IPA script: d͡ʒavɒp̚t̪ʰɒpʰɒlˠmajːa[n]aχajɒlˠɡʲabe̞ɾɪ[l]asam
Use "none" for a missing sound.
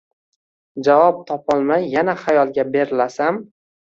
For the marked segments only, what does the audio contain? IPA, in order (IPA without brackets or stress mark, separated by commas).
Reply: n, l